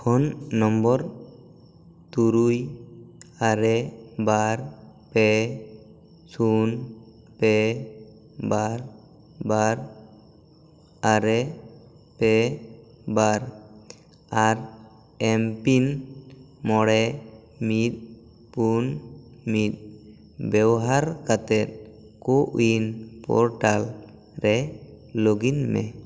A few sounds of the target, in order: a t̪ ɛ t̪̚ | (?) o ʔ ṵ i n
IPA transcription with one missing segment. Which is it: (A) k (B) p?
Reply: A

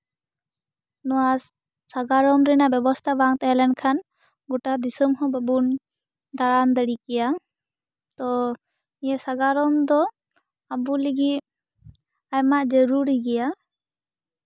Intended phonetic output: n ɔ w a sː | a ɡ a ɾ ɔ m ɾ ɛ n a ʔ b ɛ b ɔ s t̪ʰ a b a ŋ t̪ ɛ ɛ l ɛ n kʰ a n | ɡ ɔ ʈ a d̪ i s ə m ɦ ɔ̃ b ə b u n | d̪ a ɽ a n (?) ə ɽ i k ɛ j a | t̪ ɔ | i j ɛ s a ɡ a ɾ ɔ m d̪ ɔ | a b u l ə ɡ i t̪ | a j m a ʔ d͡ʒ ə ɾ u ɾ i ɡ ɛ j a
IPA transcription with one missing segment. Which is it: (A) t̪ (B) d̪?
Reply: B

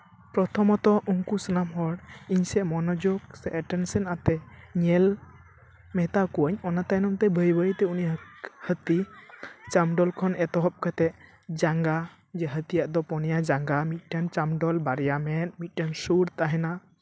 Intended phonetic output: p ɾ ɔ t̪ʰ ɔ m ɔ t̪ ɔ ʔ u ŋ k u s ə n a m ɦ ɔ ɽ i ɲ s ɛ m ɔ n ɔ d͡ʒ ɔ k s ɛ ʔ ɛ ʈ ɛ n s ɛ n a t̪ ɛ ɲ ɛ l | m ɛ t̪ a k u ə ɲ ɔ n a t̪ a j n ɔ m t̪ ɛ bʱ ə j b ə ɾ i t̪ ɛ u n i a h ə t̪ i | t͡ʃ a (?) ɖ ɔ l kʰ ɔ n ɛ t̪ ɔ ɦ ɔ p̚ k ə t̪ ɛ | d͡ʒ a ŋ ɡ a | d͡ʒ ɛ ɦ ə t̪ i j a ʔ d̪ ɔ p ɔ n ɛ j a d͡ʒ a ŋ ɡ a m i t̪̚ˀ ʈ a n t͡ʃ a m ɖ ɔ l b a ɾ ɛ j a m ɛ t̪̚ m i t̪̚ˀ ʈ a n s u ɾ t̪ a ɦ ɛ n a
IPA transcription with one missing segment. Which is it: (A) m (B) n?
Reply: A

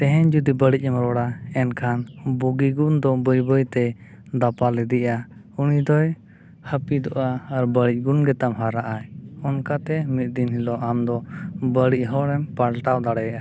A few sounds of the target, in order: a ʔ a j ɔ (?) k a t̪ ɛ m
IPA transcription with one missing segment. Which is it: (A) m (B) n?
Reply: B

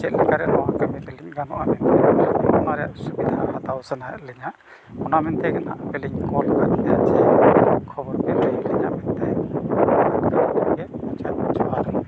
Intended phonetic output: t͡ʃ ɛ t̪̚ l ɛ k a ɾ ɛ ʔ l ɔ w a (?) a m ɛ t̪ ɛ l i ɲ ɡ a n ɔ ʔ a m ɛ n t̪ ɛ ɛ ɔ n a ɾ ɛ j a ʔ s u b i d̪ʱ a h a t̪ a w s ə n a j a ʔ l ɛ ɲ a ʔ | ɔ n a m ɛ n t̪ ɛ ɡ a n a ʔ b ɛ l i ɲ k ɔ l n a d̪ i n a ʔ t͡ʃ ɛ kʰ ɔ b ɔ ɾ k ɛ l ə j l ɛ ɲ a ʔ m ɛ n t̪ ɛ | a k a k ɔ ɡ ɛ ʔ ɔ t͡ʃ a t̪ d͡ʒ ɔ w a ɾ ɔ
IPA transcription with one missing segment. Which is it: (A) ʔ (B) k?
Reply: B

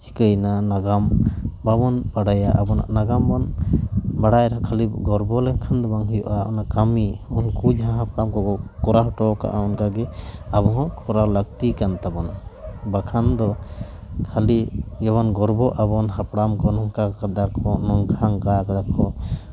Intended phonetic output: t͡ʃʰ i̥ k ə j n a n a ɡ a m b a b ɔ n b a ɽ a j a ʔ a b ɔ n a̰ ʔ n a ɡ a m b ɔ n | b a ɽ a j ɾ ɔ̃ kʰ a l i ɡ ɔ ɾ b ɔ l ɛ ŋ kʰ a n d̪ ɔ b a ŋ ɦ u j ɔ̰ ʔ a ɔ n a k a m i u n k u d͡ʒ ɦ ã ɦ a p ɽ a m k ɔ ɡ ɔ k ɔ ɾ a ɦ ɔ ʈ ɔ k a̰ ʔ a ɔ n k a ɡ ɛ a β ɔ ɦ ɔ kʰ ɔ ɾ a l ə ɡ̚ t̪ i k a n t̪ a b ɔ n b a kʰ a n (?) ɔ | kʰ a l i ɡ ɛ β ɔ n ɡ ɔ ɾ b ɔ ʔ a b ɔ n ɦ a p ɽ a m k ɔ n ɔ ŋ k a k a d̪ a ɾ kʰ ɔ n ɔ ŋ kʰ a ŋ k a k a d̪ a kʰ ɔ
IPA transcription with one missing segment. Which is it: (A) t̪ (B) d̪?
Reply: B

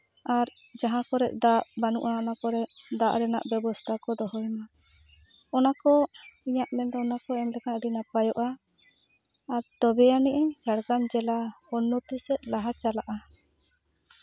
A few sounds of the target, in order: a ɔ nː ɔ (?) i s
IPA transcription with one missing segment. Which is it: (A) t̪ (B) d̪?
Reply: A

